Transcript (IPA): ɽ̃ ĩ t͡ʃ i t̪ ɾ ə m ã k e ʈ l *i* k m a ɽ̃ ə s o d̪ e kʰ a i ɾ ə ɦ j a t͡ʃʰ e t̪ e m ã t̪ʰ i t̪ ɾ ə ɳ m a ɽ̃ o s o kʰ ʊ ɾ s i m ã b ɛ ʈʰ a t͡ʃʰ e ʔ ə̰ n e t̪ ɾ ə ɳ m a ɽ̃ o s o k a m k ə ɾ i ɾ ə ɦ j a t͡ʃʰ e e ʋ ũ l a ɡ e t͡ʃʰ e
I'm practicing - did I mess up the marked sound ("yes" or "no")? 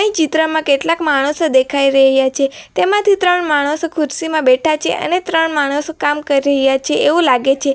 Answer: yes